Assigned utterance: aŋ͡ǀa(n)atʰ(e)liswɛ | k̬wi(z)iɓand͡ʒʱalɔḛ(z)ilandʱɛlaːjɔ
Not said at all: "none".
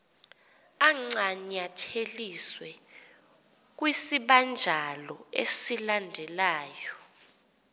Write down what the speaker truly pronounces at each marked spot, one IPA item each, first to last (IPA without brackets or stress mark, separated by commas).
ɲ, e, s, s